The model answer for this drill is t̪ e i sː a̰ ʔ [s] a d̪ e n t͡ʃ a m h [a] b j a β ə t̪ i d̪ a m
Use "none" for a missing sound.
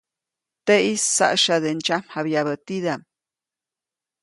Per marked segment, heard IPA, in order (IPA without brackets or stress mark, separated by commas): ʃ, a